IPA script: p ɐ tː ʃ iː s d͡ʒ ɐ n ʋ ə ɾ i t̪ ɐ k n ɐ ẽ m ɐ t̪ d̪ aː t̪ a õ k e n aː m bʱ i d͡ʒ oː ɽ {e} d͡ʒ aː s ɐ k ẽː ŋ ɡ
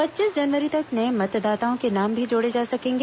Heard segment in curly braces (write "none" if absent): e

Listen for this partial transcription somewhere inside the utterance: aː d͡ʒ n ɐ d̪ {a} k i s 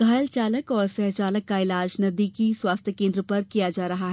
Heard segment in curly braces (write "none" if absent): i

